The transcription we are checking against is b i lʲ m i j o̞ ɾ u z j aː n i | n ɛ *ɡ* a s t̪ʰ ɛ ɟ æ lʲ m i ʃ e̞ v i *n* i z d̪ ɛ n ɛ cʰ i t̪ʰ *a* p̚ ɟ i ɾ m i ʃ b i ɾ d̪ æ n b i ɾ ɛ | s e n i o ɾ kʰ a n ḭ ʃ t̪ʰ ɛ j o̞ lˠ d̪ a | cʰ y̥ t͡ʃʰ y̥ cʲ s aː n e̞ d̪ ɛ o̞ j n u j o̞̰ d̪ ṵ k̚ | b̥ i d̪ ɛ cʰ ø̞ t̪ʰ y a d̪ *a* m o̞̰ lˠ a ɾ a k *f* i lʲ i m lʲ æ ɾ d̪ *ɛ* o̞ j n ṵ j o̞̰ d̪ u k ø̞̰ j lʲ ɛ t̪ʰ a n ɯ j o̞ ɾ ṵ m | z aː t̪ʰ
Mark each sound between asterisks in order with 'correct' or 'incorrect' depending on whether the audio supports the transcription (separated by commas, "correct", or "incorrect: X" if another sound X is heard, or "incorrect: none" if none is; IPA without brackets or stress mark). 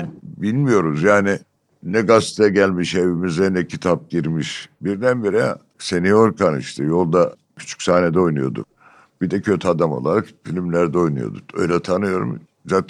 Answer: correct, incorrect: m, correct, correct, correct, correct